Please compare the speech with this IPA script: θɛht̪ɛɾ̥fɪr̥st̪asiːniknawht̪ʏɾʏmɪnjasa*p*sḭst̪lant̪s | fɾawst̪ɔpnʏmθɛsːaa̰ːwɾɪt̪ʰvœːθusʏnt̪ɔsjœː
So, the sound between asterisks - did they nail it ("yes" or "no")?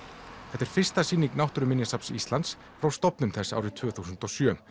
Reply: yes